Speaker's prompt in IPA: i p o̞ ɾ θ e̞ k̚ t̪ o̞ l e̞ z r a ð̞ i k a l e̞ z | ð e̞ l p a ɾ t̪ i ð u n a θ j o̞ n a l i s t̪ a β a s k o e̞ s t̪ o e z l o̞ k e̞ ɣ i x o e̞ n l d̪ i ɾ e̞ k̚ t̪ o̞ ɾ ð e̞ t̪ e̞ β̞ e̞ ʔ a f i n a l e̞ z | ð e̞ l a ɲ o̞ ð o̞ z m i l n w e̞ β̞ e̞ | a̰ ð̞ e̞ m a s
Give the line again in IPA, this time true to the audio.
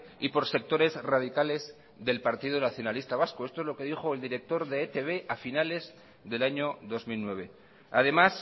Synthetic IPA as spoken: i p o̞ ɾ s e̞ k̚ t̪ o̞ ɾ e̞ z r a ð̞ i k a l e̞ z | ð e̞ l p a ɾ t̪ i ð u n a θ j o̞ n a l i s t̪ a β a s k o e̞ s t̪ o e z l o̞ k e̞ ð i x o e̞ l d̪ i ɾ e̞ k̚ t̪ o̞ ɾ ð e̞ t̪ e̞ β̞ e̞ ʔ a f i n a l e̞ z | ð e̞ l a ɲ o̞ ð o̞ z m i l n w e̞ β̞ e̞ | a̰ ð̞ e̞ m a s